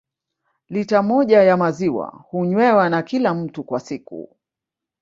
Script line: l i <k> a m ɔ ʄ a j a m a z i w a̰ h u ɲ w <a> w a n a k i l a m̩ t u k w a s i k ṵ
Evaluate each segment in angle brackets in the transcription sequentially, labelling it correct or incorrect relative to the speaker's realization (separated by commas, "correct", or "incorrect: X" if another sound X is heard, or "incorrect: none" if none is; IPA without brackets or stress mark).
incorrect: t, incorrect: ɛ